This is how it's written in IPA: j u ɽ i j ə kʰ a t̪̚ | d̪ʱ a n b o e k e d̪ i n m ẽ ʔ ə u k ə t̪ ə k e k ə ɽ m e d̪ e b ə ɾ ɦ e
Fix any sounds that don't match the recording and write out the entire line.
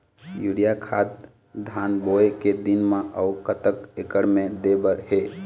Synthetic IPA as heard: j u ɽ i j a kʰ a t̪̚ | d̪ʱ a n b o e k e d̪ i n m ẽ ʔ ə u k ə t̪ ə k e k ə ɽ m e d̪ e b ə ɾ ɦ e